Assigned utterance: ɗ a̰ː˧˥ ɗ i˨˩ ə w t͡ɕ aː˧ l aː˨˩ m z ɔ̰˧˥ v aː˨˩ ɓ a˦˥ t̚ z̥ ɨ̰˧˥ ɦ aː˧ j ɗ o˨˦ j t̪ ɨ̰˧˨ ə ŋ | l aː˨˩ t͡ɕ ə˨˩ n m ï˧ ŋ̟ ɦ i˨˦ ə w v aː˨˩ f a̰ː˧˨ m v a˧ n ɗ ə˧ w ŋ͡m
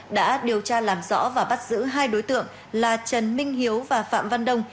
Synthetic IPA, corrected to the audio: ɗ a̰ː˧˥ ɗ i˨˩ ə w t͡ɕ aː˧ l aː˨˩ m z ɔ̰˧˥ v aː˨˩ ɓ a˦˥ t̚ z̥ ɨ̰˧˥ ɦ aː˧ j ɗ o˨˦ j t̪ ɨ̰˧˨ ə ŋ | l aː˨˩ t͡ɕ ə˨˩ n m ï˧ ŋ̟ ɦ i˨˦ ə w v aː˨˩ f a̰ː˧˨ m v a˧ n ɗ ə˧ w ŋ͡m